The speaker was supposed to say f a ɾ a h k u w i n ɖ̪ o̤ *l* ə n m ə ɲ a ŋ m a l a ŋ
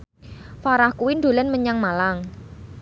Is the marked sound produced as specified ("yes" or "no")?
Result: yes